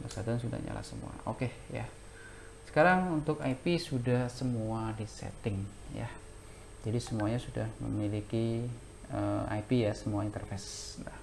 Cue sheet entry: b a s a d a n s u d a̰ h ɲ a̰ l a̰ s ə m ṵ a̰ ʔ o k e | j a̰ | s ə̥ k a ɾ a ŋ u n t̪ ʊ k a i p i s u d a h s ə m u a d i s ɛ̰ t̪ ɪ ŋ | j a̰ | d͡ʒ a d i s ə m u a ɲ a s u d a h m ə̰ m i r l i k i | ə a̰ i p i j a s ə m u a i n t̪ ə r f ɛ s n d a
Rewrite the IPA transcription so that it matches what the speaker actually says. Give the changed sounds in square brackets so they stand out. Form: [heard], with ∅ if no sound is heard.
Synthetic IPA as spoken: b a s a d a n s u d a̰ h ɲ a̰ l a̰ s ə m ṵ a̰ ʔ o k e | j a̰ | s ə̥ k a ɾ a ŋ u n t̪ ʊ k a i p i s u d a h s ə m u a d i s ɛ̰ t̪ ɪ ŋ | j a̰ | d͡ʒ a d i s ə m u a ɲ a s u d a h m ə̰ m i [∅] l i k i | ə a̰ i p i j a s ə m u a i n t̪ ə r f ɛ s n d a